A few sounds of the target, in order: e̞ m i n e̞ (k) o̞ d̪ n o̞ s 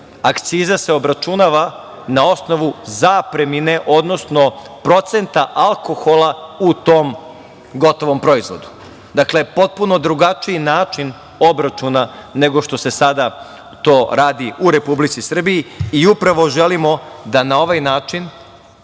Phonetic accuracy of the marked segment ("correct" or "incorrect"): incorrect